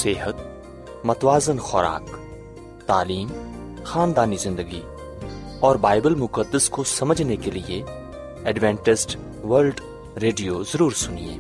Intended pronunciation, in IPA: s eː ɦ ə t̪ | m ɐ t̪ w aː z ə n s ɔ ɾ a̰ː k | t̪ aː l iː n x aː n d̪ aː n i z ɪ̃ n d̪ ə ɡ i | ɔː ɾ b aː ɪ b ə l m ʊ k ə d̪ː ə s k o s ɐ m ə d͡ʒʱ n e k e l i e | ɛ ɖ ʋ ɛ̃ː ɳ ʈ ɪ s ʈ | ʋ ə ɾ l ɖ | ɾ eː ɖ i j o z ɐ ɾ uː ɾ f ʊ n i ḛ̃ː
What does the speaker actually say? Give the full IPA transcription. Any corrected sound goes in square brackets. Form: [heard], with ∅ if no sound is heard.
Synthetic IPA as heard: s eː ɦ ə t̪ | m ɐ t̪ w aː z ə n [x] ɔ ɾ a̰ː k | t̪ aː l iː [m] x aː n d̪ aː n i z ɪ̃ n d̪ ə ɡ i | ɔː ɾ b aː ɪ b ə l m ʊ k ə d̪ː ə s k o s ɐ m ə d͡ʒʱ n e k e l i e | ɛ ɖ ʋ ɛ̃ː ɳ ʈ ɪ s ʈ | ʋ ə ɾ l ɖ | ɾ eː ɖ i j o z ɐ ɾ uː ɾ [s] ʊ n i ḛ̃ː